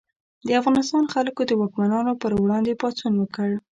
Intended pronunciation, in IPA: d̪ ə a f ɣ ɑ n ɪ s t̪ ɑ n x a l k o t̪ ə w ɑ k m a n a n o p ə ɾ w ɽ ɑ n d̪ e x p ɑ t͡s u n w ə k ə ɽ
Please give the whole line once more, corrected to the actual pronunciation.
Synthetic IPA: d̪ ə a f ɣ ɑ n ɪ s t̪ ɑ n x a l k o d̪ ə w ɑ k m a n ɑ n o p ə ɾ w ɽ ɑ n d̪ e p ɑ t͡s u n w ə k ə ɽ